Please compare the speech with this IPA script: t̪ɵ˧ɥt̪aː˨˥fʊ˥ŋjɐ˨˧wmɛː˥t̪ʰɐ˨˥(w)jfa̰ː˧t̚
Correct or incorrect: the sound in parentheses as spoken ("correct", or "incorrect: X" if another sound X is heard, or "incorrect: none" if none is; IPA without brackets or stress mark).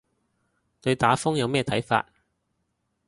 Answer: incorrect: none